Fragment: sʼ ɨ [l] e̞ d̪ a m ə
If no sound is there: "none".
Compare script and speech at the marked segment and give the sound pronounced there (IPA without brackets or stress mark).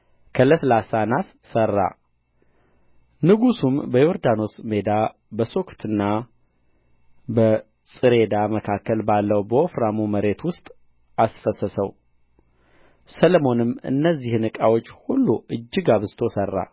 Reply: ɾ